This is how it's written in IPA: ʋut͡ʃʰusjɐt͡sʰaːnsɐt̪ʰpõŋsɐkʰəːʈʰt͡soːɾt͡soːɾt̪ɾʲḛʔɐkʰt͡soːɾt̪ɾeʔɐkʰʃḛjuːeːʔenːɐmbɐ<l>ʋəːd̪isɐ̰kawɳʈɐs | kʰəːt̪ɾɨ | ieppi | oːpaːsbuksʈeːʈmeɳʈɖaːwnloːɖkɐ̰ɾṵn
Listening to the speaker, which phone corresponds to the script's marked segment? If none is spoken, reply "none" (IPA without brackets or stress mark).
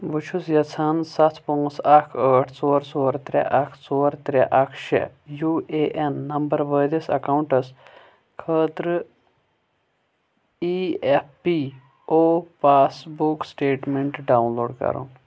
ɾ